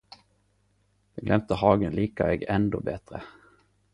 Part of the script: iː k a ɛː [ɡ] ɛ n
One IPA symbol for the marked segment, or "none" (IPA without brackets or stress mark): ɡ